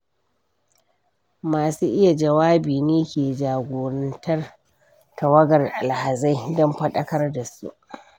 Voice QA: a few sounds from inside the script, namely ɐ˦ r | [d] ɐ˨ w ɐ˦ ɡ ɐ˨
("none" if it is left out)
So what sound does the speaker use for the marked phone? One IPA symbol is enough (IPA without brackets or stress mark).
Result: t